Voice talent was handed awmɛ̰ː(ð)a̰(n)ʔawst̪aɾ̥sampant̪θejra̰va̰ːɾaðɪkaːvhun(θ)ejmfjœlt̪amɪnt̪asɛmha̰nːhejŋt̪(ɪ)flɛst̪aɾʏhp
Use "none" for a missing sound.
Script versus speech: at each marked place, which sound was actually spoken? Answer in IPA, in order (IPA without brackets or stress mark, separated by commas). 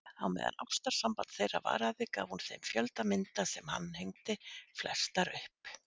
ð, n, θ, ɪ